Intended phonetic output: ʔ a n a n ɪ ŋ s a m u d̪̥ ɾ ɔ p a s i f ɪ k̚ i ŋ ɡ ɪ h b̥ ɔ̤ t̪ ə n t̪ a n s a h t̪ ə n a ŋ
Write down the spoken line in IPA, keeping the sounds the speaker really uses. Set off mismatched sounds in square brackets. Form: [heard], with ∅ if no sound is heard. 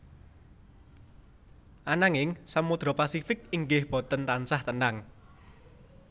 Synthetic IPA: ʔ a n a [ŋ] ɪ ŋ s a m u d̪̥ ɾ ɔ p a s i f ɪ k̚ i ŋ ɡ ɪ h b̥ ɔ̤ t̪ ə n t̪ a n s a h t̪ ə n a ŋ

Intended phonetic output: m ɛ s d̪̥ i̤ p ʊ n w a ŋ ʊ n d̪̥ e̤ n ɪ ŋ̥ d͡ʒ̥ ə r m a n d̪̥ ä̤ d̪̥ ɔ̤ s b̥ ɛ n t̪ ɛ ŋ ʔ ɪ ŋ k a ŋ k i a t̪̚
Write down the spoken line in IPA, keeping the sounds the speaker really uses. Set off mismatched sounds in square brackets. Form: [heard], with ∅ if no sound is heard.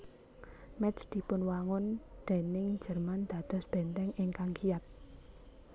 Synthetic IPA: m ɛ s d̪̥ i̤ p ʊ n w a ŋ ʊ n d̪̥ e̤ n ɪ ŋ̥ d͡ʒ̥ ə r m a n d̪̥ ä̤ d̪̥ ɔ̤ s b̥ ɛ n t̪ ɛ ŋ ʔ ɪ ŋ k a ŋ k i a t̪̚

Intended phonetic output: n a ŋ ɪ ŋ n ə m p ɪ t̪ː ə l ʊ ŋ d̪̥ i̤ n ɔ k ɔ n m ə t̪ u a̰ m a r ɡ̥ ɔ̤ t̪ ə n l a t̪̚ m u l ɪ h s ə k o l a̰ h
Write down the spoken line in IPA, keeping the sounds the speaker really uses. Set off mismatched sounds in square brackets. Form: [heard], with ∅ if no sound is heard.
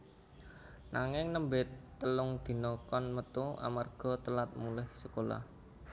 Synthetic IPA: n a ŋ ɪ ŋ n ə m [b] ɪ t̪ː ə l ʊ ŋ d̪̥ i̤ n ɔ k ɔ n m ə t̪ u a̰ m a r ɡ̥ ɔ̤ t̪ ə [∅] l a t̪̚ m u l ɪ h s ə k o l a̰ h

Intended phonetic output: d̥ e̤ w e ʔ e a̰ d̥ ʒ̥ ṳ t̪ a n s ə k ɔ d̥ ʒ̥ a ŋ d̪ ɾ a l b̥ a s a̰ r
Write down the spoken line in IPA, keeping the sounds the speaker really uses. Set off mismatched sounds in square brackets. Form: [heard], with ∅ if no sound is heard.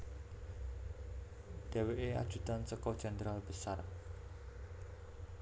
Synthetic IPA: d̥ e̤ w e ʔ e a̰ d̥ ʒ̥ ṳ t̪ a n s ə k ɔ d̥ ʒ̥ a [n] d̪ ɾ a l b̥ [ə] s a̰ r

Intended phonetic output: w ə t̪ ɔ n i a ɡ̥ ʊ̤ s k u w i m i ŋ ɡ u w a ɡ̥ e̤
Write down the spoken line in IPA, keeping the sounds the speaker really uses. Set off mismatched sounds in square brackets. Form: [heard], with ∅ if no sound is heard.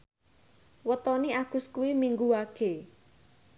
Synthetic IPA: w ə t̪ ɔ n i a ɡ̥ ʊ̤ s k u w i m i ŋ ɡ u w a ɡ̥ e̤

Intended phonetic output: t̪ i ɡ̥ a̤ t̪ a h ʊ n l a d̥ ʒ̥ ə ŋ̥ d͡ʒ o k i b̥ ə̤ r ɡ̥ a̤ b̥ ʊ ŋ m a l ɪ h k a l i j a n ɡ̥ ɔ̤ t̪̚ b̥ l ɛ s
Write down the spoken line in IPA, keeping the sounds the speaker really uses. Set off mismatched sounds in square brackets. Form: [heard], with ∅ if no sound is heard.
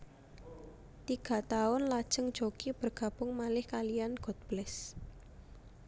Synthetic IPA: t̪ i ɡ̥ a̤ t̪ a [∅] ʊ n l a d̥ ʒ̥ ə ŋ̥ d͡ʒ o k i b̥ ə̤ r ɡ̥ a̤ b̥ ʊ ŋ m a l ɪ h k a l i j a n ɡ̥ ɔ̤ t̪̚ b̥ l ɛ s

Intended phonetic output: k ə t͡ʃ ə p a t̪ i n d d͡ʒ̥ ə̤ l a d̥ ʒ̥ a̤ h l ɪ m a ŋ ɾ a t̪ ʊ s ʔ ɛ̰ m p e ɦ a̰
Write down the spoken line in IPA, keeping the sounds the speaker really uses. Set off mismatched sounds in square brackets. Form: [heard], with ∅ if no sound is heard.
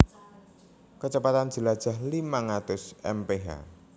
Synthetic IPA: k ə t͡ʃ ə p a t̪ [a] n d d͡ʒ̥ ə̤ l a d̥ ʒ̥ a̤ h l [i] m a ŋ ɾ a t̪ ʊ s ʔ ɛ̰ m p e ɦ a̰

